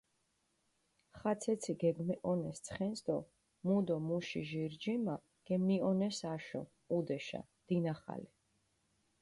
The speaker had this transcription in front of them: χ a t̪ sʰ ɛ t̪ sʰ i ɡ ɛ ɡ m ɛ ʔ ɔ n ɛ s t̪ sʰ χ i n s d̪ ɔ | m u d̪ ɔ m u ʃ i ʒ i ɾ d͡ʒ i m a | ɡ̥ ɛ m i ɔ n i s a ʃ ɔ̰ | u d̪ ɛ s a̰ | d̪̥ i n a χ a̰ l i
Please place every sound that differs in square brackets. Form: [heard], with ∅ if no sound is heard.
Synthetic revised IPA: χ a t̪ sʰ ɛ t̪ sʰ i ɡ ɛ ɡ m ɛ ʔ ɔ n ɛ s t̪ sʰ χ [ɛ] n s d̪ ɔ | m u d̪ ɔ m u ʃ i ʒ i ɾ d͡ʒ i m a | ɡ̥ ɛ m i ɔ n [ɛ] s a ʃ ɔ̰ | u d̪ ɛ [ʃ] a̰ | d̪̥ i n a χ a̰ l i